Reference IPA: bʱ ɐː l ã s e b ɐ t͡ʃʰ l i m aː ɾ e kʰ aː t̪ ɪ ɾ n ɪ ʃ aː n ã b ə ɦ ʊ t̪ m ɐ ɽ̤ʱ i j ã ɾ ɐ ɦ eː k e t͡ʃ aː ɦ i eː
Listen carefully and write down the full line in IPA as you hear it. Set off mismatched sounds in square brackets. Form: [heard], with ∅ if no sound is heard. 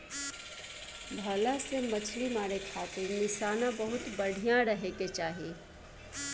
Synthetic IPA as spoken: bʱ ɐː l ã s e [m] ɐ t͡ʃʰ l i m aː ɾ e kʰ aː t̪ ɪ ɾ n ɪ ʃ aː n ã b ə ɦ ʊ t̪ [b] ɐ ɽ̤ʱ i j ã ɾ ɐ ɦ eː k e t͡ʃ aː ɦ i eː